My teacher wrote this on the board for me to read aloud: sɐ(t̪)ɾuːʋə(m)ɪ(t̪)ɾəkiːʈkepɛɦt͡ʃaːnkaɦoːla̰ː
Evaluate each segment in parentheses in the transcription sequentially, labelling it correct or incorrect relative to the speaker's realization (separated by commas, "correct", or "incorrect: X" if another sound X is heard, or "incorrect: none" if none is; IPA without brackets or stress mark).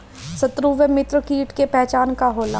correct, correct, correct